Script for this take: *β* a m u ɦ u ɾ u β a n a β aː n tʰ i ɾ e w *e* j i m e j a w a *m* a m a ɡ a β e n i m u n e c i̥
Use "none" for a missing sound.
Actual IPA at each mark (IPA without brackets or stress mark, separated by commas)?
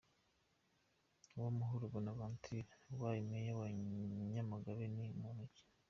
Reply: w, a, ɲ